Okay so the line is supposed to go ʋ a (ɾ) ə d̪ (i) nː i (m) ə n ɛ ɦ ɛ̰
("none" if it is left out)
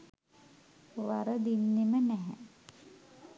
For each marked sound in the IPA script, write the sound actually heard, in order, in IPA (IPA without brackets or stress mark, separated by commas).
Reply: ɾ, i, m